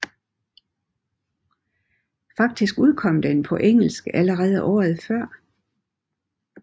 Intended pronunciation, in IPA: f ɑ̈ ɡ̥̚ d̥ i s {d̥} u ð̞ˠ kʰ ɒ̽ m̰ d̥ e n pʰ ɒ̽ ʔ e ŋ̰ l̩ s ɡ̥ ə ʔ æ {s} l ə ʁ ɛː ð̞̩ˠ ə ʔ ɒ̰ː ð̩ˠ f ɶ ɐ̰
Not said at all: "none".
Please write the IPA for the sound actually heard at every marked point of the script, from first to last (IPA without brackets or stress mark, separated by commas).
ɡ̥, none